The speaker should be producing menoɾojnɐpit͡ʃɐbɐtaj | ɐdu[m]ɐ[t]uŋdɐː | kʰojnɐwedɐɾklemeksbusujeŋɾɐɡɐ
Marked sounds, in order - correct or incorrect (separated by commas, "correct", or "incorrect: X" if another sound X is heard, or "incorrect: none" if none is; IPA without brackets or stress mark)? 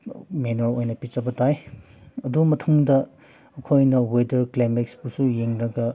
correct, incorrect: tʰ